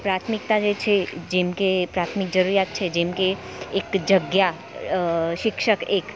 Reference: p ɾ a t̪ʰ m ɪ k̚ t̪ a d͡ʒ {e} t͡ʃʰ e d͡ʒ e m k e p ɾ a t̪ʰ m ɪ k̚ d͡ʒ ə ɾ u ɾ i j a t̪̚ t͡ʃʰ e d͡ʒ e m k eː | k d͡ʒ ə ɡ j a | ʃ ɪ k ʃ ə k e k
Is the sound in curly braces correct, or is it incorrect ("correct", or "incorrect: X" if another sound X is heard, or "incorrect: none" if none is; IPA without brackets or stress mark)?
correct